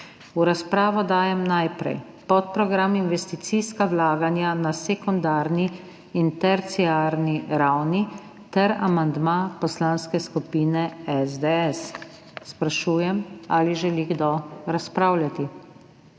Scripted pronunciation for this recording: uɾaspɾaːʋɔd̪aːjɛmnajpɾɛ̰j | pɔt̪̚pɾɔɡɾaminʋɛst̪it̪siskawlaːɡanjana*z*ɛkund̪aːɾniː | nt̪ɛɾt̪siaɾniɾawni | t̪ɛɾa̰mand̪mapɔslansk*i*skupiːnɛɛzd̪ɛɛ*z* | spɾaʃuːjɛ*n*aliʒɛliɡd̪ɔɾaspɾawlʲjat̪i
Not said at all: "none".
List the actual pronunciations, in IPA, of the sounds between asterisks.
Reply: s, ɛ, s, m

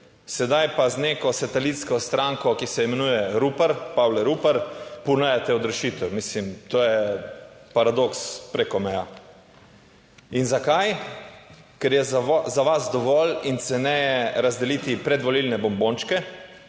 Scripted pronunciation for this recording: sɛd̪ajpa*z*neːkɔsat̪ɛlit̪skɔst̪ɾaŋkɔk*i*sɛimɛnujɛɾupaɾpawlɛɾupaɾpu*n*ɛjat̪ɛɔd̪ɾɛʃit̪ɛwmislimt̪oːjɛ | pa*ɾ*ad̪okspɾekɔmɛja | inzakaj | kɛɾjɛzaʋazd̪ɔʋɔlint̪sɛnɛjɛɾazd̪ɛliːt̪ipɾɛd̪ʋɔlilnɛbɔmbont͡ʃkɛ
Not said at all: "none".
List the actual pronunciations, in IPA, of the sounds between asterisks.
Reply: z, i, n, ɾ

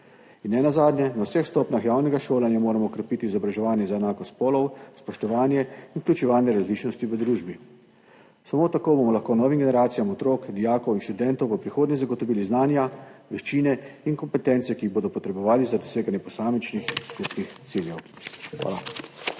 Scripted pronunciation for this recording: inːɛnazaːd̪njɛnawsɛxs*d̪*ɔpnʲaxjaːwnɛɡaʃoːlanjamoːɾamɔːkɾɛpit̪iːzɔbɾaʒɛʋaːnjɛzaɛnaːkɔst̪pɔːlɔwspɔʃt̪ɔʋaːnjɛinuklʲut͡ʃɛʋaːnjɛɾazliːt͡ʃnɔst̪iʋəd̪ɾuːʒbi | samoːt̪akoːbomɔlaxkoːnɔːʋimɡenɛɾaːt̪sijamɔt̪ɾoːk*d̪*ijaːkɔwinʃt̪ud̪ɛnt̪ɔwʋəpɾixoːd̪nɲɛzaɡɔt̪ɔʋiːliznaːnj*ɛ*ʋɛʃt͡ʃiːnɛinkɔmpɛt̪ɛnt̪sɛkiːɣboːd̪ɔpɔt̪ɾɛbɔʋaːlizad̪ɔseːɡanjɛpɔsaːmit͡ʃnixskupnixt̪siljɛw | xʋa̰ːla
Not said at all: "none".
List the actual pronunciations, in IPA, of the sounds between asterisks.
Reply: t̪, d̪, a

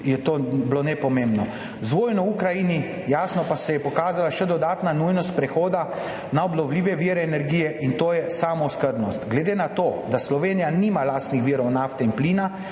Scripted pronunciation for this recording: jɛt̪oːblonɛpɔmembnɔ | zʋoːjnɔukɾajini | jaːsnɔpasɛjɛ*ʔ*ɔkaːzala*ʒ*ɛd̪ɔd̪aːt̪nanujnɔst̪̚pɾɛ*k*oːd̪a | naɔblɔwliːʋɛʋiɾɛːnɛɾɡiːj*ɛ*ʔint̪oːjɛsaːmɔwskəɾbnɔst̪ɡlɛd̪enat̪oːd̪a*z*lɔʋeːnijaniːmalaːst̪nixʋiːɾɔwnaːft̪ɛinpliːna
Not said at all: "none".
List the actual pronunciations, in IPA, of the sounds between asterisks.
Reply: p, ʃ, x, ɛ, s

